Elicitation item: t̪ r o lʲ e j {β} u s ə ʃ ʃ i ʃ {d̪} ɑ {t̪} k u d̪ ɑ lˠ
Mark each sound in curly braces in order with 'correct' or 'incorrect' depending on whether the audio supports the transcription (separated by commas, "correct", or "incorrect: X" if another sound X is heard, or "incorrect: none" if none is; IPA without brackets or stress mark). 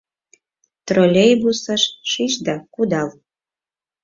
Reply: incorrect: b, correct, incorrect: none